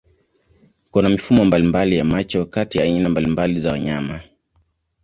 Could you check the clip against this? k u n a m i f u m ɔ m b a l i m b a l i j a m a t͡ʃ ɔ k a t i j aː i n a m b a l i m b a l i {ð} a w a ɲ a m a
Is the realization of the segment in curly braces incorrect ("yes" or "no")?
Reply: yes